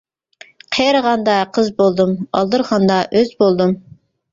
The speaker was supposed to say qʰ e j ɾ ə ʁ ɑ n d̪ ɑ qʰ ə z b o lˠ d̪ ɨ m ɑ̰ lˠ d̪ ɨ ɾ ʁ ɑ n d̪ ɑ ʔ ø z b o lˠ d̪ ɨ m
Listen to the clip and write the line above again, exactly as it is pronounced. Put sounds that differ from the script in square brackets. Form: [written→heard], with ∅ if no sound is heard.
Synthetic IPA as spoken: qʰ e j ɾ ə ʁ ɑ n d̪ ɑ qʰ ə z b o lˠ d̪ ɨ m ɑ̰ lˠ d̪ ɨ ɾ ʁ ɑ n d̪ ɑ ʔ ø z b o lˠ d̪ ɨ m